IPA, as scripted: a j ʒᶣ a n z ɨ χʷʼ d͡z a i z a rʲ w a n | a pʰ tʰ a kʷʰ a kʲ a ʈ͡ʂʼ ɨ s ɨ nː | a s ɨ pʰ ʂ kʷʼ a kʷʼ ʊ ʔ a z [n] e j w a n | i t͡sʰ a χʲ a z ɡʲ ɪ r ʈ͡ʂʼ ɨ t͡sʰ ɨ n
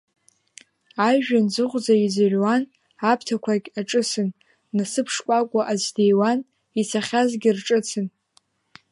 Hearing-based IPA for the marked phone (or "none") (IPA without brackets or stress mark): d